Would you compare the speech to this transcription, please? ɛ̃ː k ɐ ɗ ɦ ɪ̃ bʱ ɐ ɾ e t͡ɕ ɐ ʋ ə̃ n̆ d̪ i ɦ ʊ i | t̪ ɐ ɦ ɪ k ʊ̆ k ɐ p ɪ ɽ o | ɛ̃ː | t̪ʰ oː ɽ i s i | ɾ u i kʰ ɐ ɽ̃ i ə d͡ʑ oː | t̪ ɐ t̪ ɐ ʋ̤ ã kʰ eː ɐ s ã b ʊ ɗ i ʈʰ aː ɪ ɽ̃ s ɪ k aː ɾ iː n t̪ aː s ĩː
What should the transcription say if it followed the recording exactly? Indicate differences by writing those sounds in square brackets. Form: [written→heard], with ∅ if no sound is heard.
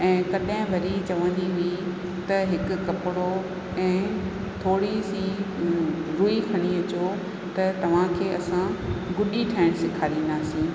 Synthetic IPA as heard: ɛ̃ː k ɐ ɗ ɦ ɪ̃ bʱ ɐ ɾ [e→i] t͡ɕ ɐ ʋ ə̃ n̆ d̪ i ɦ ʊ i | t̪ ɐ ɦ ɪ k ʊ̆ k ɐ p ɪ ɽ o | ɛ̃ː | t̪ʰ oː ɽ i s i | ɾ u i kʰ ɐ ɽ̃ i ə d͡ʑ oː | t̪ ɐ t̪ ɐ ʋ̤ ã kʰ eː ɐ s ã [b→ɡ] ʊ ɗ i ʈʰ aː ɪ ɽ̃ s ɪ [k→kʰ] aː ɾ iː n [t̪→d̪] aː s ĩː